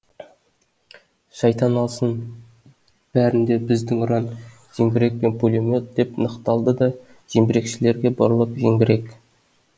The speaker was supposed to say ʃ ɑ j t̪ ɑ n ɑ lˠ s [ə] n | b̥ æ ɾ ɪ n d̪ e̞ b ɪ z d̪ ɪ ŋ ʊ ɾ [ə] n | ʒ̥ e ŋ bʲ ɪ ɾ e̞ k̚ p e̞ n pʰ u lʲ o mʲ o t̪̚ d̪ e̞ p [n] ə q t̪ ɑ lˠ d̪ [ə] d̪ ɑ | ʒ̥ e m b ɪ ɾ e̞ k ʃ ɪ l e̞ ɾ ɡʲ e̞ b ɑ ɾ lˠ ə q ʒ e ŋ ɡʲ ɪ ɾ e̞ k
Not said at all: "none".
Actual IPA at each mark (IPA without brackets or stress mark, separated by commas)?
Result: ə, ɑ, n, ə